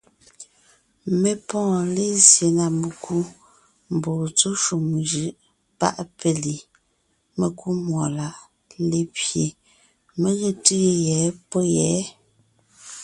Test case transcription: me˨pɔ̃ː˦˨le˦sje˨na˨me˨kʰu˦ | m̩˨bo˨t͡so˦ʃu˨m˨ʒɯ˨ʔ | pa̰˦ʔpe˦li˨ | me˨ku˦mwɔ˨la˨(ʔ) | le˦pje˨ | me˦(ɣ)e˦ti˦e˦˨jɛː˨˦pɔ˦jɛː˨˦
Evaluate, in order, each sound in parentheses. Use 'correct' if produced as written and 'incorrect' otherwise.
correct, correct

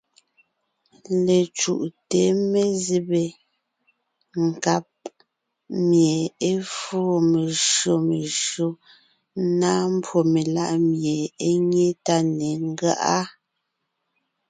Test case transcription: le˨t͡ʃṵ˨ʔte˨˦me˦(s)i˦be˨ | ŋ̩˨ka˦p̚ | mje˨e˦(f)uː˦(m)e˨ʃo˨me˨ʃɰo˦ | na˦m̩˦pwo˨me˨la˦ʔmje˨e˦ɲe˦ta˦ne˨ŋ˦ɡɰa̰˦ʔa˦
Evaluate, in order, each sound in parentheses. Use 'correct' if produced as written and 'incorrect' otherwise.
incorrect, correct, correct

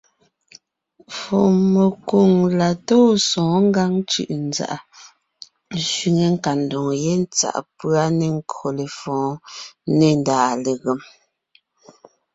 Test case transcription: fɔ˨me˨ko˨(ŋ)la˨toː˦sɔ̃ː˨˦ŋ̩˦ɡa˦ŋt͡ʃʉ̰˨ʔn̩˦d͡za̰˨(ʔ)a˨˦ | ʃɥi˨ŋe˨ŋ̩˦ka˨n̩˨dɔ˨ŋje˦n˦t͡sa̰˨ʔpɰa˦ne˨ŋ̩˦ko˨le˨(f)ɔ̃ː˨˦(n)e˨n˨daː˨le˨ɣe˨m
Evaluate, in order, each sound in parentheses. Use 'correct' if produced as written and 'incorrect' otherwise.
correct, correct, correct, correct

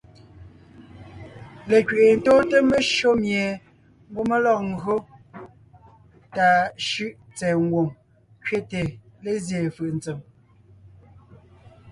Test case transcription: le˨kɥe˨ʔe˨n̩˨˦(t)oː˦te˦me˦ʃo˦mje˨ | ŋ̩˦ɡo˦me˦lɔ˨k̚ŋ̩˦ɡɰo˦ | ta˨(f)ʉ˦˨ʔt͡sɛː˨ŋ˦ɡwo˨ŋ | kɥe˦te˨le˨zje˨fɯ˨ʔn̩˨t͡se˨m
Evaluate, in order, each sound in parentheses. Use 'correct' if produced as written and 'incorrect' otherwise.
correct, incorrect

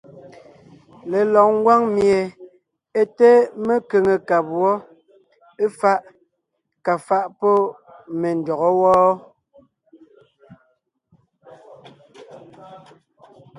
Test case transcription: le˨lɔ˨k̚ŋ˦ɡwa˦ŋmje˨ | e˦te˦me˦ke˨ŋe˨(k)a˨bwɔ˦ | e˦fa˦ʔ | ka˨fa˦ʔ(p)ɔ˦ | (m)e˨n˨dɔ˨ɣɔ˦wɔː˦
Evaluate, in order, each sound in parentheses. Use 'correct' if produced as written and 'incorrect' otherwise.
correct, correct, correct

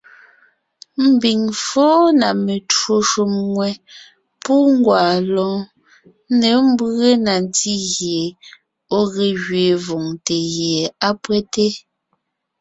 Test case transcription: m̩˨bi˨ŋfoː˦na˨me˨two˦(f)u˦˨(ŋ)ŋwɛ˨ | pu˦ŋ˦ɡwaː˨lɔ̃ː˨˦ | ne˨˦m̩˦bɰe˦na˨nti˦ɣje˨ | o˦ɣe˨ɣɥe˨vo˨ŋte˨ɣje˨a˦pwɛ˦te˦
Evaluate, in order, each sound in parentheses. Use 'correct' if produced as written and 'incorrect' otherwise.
incorrect, incorrect

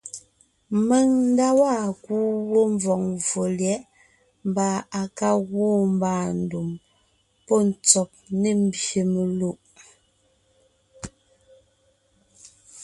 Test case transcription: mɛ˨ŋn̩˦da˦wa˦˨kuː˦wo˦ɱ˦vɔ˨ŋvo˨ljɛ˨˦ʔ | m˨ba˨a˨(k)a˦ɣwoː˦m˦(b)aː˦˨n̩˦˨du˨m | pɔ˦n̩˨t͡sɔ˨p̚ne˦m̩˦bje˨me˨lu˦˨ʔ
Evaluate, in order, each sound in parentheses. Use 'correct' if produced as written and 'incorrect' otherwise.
correct, correct

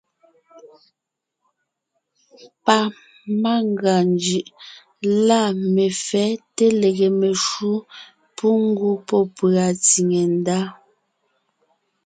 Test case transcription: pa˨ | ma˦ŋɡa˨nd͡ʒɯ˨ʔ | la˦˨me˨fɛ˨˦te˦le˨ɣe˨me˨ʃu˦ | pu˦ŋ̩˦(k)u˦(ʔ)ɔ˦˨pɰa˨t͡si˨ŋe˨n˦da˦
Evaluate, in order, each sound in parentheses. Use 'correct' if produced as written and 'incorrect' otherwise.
incorrect, incorrect

